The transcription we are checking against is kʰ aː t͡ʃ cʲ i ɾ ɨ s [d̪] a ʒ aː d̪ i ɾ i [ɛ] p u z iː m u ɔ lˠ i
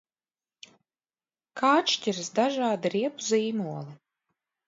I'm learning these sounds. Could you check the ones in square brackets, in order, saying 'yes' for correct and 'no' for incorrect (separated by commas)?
yes, yes